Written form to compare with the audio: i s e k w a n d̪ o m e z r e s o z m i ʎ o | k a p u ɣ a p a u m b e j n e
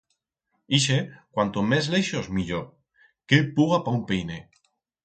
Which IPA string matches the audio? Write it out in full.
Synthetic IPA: i ʃ e k w a n t̪ o m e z l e ʃ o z m i ʎ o | k e p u ɣ a p a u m p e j n e